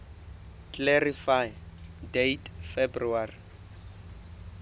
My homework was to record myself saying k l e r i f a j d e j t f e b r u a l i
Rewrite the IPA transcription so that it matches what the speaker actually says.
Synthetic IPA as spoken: k l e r i f a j d e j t f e b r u a r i